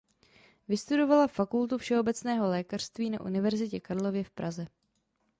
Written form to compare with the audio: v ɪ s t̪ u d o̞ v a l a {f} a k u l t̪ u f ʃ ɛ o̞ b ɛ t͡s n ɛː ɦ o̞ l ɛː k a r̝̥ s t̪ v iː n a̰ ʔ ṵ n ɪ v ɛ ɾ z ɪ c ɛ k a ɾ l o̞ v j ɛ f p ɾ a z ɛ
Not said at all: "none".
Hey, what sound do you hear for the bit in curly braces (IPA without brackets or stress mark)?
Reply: f